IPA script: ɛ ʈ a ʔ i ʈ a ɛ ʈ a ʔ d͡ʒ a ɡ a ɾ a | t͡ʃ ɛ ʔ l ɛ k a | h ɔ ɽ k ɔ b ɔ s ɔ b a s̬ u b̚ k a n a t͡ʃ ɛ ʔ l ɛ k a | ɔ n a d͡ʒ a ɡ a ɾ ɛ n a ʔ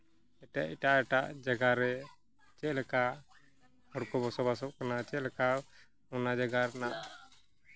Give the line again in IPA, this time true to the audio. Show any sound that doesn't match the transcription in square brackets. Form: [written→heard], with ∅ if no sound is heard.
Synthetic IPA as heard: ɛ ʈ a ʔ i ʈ a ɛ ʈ a ʔ d͡ʒ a ɡ a ɾ [a→ɛ] | t͡ʃ ɛ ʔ l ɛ k a | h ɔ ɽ k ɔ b ɔ s ɔ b a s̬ [u→ɔ] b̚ k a n a t͡ʃ ɛ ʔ l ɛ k a | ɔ n a d͡ʒ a ɡ a ɾ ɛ n a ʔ